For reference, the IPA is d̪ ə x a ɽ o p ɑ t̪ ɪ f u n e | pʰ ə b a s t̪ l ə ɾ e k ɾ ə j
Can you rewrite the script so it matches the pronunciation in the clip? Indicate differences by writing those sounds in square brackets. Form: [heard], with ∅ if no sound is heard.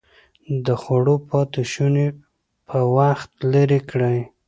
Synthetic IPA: d̪ ə x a ɽ o p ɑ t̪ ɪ [ʃ] u n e | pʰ ə [w] a [x] t̪ l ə ɾ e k [ɽ] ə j